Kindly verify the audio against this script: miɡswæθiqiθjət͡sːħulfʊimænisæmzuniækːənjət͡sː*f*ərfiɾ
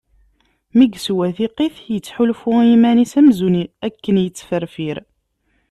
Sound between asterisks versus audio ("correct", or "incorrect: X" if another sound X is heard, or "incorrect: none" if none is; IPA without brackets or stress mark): correct